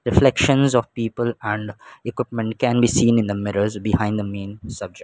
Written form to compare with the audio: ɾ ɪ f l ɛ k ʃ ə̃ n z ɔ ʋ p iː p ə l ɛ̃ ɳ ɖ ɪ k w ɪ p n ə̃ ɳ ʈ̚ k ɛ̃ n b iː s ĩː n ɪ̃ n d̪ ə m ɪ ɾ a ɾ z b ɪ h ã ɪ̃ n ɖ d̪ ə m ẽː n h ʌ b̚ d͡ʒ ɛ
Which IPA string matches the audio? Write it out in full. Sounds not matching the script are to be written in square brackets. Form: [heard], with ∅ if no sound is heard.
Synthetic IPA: ɾ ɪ f l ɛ k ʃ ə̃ n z ɔ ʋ p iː p ə l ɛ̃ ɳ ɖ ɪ k w ɪ p [m] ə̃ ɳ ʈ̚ k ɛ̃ n b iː s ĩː n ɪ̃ n d̪ ə m ɪ ɾ [ə] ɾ z b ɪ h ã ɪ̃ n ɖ d̪ ə m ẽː n [s] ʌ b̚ d͡ʒ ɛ

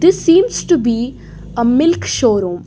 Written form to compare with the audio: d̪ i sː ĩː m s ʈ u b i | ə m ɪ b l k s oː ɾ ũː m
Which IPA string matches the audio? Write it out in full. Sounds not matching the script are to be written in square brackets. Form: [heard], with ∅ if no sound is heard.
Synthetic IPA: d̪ [ɪ] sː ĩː m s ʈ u b i | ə m ɪ [∅] l k [ʃ] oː ɾ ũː m

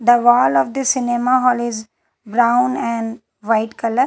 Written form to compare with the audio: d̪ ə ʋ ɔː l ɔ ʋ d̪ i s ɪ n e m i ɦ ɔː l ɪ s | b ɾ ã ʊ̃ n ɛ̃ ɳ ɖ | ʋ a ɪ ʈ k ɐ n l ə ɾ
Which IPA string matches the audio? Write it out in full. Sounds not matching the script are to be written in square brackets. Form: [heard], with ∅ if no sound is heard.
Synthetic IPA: d̪ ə ʋ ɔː l ɔ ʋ d̪ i s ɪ n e m [a] ɦ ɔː l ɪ [z] | b ɾ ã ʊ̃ n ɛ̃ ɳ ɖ | ʋ a ɪ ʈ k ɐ [∅] l ə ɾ

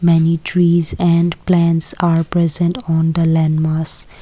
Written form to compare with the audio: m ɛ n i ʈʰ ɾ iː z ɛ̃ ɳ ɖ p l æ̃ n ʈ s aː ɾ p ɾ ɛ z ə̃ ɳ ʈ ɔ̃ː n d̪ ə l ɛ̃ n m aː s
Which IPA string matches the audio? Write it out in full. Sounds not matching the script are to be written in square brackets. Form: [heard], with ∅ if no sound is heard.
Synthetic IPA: m ɛ n i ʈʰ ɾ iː z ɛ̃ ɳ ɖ p l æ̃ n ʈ s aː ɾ p ɾ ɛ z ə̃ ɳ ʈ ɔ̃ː n d̪ ə l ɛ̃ n m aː s

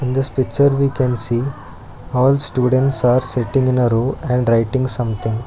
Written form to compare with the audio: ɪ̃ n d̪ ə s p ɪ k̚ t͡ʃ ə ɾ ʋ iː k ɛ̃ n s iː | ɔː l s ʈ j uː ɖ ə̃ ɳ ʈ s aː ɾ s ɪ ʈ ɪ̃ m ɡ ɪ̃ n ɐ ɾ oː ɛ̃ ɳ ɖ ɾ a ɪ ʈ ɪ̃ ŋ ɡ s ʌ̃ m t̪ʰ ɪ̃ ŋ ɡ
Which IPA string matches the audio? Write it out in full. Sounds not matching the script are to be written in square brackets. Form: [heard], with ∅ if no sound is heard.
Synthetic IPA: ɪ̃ n d̪ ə s p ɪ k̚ t͡ʃ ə ɾ ʋ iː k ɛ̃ n s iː | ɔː l s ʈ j uː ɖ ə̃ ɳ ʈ s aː ɾ s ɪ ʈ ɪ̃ [ŋ] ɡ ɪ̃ n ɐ ɾ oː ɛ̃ ɳ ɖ ɾ a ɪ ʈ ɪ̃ ŋ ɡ s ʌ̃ m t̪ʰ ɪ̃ ŋ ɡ

